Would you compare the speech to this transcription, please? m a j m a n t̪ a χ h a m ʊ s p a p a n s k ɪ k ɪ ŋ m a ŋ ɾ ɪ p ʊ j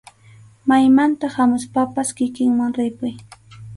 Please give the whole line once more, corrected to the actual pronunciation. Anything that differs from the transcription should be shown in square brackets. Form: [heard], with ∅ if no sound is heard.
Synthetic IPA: m a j m a n t̪ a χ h a m ʊ s p a p a [∅] s k ɪ k ɪ ŋ m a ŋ ɾ ɪ p ʊ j

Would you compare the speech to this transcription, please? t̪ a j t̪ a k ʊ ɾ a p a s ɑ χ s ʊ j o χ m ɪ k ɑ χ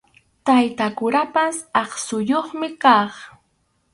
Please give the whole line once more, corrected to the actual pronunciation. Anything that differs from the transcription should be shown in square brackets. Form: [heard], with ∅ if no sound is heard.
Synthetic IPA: t̪ a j t̪ a k ʊ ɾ a p a s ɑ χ s ʊ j o χ m ɪ k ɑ χ

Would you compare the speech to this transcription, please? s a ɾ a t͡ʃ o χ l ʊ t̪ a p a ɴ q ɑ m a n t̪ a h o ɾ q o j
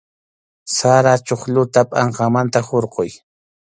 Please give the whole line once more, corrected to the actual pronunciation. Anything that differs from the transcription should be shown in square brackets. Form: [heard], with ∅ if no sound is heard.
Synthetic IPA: s a ɾ a t͡ʃ o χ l ʊ t̪ a [pʼ] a ɴ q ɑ m a n t̪ a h o ɾ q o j

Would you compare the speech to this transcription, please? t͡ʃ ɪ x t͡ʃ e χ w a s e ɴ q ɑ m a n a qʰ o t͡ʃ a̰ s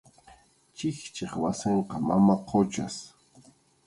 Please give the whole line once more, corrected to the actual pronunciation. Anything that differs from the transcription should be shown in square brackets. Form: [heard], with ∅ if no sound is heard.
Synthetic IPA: t͡ʃ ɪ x t͡ʃ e χ w a s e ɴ q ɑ m a [m] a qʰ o t͡ʃ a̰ s

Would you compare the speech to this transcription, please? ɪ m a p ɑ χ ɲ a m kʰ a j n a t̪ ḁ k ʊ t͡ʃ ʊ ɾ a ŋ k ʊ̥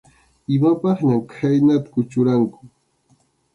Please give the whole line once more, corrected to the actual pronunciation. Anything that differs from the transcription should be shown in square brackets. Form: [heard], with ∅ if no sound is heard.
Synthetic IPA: ɪ m a p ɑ χ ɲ a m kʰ a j n a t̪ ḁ k ʊ t͡ʃ ʊ ɾ a ŋ k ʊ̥

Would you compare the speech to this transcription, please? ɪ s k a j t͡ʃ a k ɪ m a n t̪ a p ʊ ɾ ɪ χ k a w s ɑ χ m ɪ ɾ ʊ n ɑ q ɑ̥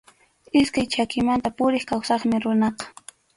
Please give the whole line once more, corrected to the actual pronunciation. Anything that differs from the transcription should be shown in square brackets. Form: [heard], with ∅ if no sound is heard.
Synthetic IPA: ɪ s k a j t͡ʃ a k ɪ m a n t̪ a p ʊ ɾ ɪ χ k a w s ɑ χ m ɪ ɾ ʊ n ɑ q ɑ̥

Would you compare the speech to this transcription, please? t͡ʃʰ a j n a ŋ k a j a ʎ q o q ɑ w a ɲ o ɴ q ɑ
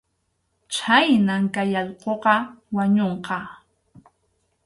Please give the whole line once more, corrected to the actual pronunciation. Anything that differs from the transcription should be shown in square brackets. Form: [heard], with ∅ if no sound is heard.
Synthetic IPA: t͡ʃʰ a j n a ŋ k a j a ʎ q o q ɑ w a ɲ o ɴ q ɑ

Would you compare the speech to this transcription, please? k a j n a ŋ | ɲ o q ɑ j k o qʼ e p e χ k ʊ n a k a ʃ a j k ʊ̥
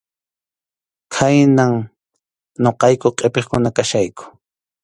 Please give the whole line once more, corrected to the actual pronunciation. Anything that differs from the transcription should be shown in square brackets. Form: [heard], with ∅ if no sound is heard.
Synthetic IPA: [kʰ] a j n a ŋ | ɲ o q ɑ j k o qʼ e p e χ k ʊ n a k a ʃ a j k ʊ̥

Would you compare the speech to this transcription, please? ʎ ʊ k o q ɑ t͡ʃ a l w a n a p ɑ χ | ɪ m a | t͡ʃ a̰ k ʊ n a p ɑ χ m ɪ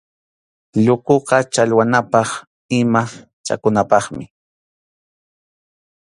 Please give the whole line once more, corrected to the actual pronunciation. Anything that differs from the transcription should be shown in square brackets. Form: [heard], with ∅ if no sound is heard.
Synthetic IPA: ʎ ʊ k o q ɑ t͡ʃ a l w a n a p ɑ χ | ɪ m a | t͡ʃ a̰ k ʊ n a p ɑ χ m ɪ

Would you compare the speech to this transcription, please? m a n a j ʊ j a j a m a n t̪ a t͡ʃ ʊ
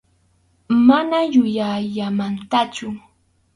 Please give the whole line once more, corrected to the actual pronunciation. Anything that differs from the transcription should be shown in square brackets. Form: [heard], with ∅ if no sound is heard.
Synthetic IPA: m a n a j ʊ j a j a m a n t̪ a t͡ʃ ʊ

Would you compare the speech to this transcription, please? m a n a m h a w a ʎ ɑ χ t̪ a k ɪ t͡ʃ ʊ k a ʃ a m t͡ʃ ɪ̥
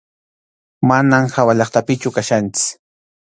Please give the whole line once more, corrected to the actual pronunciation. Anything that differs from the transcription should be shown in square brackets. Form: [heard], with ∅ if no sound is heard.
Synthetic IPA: m a n a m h a w a ʎ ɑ χ t̪ a [p] ɪ t͡ʃ ʊ k a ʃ a [n] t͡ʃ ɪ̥

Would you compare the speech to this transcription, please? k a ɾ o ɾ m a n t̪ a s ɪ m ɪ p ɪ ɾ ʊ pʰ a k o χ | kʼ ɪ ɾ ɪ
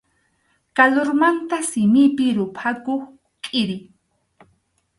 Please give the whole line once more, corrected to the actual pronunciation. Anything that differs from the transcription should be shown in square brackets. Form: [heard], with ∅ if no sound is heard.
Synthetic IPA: k a [l] o ɾ m a n t̪ a s ɪ m ɪ p ɪ ɾ ʊ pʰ a k o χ | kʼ ɪ ɾ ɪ

